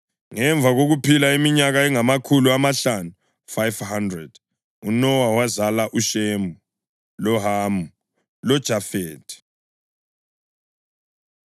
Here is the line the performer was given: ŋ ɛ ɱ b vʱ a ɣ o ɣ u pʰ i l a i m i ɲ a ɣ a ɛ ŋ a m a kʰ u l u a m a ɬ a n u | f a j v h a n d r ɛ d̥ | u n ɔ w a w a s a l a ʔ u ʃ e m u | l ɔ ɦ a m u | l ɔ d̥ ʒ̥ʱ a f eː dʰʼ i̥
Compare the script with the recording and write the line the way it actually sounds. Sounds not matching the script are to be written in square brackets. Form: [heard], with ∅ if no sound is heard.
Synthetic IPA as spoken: ŋ ɛ ɱ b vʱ a ɣ o ɣ u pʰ i l a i m i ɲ a ɣ a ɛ ŋ a m a kʰ u l u a m a ɬ a n u | f a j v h a n d r ɛ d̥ | u n ɔ w a w a [z] a l a ʔ u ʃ e m u | l ɔ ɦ a m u | l ɔ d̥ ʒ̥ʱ a f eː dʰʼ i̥

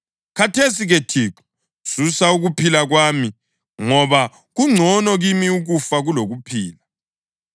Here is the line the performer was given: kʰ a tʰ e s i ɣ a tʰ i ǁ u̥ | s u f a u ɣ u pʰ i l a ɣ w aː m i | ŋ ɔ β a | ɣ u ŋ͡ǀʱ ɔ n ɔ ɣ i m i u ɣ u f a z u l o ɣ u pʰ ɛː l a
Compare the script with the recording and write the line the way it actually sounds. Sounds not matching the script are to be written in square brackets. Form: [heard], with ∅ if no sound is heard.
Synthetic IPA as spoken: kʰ a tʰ e s i ɣ [e] tʰ i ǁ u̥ | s u [s] a u ɣ u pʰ i l a ɣ w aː m i | ŋ ɔ β a | ɣ u ŋ͡ǀʱ ɔ n ɔ ɣ i m i u ɣ u f a [ɣ] u l o ɣ u pʰ [iː] l a

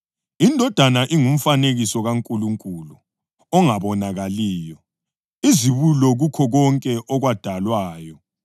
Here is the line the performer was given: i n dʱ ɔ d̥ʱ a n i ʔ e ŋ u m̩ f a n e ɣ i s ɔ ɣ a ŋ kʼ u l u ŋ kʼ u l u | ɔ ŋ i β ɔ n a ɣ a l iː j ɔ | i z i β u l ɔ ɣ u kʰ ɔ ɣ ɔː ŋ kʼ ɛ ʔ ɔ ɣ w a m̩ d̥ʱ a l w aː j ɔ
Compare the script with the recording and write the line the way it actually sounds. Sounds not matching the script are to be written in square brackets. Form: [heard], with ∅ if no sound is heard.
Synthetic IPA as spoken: i n dʱ ɔ d̥ʱ a n [a] ʔ [i] ŋ u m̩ f a n e ɣ i s ɔ ɣ a ŋ kʼ u l u ŋ kʼ u l u | ɔ ŋ [a] β ɔ n a ɣ a l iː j ɔ | i z i β u l ɔ ɣ u kʰ ɔ ɣ [ɔ] ŋ kʼ ɛ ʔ ɔ ɣ w a [∅] d̥ʱ a l w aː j ɔ

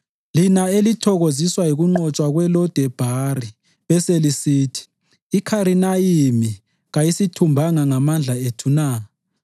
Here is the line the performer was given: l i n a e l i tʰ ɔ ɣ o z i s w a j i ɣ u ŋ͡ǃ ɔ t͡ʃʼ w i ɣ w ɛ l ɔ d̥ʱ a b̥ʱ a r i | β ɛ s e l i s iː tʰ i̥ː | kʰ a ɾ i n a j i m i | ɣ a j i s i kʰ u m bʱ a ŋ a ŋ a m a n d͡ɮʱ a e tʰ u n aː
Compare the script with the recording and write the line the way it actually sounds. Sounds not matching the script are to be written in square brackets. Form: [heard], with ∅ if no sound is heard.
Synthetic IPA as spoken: l i n a e l i tʰ ɔ ɣ o z i s w a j i ɣ u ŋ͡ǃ ɔ t͡ʃʼ w [a] ɣ w ɛ l ɔ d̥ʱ [ɛ] b̥ʱ a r i | β ɛ s e l i s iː tʰ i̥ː | kʰ a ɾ i n a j i m i | ɣ a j i s i [tʰ] u m bʱ a ŋ a ŋ a m a n d͡ɮʱ a e tʰ u n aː

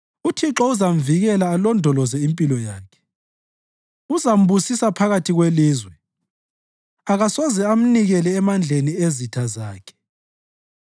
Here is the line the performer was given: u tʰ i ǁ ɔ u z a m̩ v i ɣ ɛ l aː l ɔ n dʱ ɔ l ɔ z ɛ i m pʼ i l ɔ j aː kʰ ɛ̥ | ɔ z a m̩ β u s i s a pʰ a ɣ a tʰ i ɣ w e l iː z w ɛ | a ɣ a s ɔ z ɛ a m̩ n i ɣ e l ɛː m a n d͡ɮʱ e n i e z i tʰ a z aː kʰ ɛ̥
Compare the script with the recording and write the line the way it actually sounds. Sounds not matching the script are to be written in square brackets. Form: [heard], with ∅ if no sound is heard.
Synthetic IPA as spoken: u tʰ i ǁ ɔ u z a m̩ v i ɣ ɛ l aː l ɔ n dʱ ɔ l ɔ z ɛ i m pʼ i l ɔ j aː kʰ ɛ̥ | [u] z a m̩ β u s i s a pʰ a ɣ a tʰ i ɣ w e l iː z w ɛ | a ɣ a s ɔ z ɛ a m̩ n i ɣ [ɛ] l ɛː m a n d͡ɮʱ e n i e z i tʰ a z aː kʰ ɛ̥

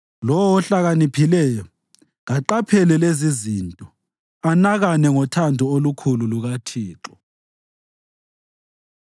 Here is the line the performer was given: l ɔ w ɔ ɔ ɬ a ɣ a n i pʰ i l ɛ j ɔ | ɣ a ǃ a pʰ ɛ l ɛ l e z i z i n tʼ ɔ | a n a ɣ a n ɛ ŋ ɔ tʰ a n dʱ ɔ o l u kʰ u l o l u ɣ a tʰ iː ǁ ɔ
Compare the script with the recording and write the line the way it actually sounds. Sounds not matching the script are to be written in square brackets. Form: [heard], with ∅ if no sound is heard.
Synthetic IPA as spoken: l ɔ w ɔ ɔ ɬ a ɣ a n i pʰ i l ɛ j ɔ | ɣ a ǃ a pʰ ɛ l ɛ l e z i z i n tʼ ɔ | a n a ɣ a n ɛ ŋ ɔ tʰ a n dʱ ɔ o l u kʰ u l [u] l u ɣ a tʰ iː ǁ ɔ

